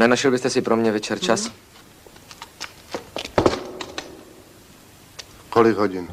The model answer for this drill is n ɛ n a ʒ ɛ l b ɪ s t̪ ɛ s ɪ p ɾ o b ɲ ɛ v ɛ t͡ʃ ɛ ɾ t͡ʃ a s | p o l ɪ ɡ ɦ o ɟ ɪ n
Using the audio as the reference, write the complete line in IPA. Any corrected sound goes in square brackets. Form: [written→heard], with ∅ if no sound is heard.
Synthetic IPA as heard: n ɛ n a [ʒ→ʃ] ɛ l b ɪ s t̪ ɛ s ɪ p ɾ o [b→m] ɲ ɛ v ɛ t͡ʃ ɛ ɾ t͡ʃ a s | [p→k] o l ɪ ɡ ɦ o ɟ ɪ n